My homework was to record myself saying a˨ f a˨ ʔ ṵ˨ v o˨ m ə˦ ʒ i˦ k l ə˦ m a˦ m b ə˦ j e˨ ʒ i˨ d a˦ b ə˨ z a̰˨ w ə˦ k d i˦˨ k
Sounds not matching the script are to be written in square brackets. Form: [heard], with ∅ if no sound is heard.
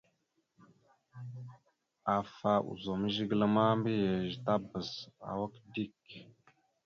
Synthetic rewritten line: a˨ f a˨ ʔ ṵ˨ [z] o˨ m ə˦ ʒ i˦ [ɡ] l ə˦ m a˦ m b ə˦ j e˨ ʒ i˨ [t] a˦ b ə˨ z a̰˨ w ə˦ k d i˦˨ k